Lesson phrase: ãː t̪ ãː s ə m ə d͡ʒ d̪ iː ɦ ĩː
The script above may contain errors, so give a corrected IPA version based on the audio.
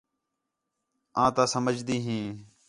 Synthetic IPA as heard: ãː t̪ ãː s ə m ə d͡ʒ d̪ iː ɦ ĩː